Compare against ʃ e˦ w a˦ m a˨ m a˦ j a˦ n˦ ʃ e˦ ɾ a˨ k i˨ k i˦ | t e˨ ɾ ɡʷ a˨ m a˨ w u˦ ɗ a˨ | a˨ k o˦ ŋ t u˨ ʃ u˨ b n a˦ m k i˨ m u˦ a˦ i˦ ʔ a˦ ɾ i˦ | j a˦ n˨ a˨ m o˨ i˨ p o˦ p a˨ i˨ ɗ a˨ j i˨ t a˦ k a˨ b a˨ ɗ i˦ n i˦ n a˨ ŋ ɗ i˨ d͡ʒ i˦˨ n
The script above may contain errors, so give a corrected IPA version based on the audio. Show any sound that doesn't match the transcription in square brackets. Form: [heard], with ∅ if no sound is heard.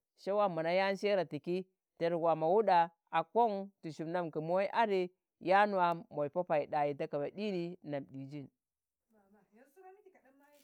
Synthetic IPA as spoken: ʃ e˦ w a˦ m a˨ [n] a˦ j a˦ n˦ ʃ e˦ ɾ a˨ [t] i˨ k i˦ | t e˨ ɾ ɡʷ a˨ m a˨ w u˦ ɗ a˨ | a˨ k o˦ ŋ t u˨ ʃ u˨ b n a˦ m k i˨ m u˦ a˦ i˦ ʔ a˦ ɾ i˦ | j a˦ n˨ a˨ m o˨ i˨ p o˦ p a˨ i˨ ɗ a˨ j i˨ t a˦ k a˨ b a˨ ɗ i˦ n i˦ n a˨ [m] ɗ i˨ d͡ʒ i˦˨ n